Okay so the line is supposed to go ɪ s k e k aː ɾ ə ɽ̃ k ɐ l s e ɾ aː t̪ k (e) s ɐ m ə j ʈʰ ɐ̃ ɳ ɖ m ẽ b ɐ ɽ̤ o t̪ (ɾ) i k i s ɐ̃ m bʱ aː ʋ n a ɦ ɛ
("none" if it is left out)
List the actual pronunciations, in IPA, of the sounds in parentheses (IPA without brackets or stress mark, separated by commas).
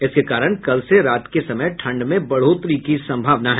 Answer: e, ɾ